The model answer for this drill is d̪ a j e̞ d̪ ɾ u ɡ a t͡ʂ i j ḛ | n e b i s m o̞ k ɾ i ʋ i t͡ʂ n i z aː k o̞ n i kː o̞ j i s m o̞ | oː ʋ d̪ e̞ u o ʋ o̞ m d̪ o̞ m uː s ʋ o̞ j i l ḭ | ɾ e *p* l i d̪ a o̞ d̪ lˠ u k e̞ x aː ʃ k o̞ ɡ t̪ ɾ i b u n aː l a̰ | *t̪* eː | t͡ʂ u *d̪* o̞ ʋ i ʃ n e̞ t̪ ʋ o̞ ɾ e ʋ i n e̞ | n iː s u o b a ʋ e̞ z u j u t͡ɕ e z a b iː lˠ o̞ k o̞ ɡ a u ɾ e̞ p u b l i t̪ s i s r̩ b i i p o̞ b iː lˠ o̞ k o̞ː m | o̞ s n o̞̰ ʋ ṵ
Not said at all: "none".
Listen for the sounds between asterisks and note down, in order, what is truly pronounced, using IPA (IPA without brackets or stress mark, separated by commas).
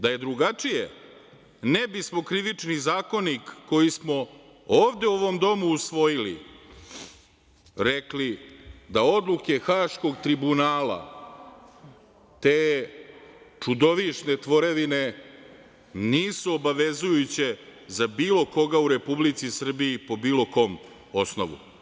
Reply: k, t̪, d̪